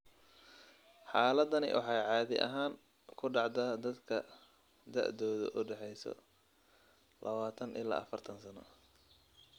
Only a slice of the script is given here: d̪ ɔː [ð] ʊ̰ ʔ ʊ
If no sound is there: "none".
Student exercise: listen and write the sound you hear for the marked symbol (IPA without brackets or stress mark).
ð